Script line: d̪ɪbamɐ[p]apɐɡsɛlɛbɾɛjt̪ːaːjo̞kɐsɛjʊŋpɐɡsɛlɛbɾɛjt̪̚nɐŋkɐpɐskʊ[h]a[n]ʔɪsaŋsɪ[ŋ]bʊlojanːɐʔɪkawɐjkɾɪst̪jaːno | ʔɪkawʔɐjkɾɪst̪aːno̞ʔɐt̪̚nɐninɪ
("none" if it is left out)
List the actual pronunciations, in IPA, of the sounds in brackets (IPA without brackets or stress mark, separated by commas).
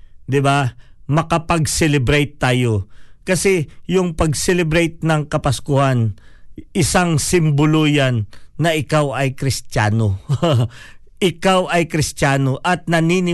k, h, n, m